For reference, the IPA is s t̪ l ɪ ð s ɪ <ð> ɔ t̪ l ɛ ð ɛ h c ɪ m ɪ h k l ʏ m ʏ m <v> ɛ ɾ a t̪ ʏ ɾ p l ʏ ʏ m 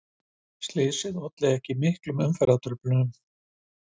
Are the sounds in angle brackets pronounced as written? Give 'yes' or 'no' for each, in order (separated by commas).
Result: yes, no